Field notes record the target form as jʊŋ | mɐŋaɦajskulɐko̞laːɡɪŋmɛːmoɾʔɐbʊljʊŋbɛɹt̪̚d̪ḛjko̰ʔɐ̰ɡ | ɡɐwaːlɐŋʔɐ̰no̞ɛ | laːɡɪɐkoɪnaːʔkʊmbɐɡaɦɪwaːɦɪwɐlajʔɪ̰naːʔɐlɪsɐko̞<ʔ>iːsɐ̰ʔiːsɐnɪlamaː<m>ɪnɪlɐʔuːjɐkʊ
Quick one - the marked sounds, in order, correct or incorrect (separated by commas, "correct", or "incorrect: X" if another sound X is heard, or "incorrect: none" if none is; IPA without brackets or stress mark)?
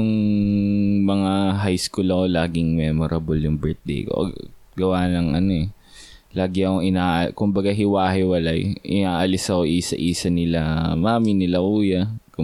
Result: correct, correct